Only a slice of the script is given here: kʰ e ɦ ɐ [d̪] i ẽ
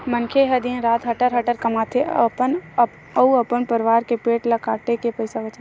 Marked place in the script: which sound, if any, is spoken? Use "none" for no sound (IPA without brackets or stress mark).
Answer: d̪